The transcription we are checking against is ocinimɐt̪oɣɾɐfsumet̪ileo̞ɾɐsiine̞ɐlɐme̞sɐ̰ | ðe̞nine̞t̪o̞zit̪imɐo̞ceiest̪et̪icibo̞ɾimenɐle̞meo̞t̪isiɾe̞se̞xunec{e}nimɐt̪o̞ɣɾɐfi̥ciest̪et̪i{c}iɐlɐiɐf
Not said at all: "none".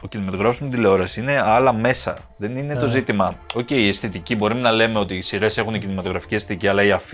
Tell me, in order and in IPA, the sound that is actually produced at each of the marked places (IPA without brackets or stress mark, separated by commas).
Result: i, c